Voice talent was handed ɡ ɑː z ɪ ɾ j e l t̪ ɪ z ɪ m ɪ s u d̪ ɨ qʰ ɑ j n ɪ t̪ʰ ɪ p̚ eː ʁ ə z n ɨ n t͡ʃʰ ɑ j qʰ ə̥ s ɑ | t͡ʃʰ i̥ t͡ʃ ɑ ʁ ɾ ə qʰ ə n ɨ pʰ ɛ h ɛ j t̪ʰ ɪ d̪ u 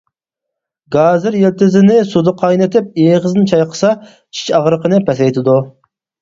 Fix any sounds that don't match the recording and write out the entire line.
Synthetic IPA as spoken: ɡ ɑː z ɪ ɾ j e l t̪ ɪ z ɪ n ɪ s u d̪ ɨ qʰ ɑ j n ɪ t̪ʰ ɪ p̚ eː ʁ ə z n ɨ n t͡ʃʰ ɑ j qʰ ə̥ s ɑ | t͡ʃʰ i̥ t͡ʃ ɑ ʁ ɾ ə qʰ ə n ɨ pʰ ɛ s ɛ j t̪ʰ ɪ d̪ u